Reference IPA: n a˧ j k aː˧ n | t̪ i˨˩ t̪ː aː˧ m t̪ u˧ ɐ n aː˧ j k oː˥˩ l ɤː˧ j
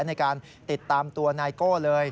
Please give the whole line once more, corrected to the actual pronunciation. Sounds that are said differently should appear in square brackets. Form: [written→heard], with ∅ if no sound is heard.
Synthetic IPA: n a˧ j k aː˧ n | t̪ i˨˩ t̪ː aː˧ m t̪ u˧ ɐ n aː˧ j k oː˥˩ l ɤː˧ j